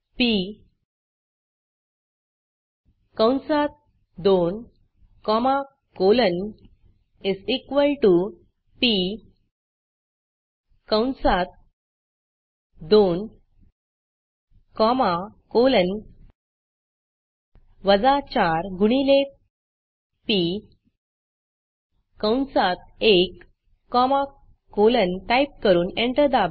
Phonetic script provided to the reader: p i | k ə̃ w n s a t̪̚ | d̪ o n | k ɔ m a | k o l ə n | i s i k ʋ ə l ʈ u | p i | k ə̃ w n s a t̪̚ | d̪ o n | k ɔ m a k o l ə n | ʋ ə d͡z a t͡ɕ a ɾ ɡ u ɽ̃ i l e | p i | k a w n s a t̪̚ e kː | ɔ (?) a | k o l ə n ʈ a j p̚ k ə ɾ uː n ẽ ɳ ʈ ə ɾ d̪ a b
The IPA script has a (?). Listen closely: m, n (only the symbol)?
m